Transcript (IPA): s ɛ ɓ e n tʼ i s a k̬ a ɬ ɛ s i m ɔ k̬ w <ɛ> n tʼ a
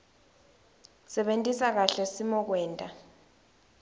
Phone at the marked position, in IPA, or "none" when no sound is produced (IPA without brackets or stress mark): ɛː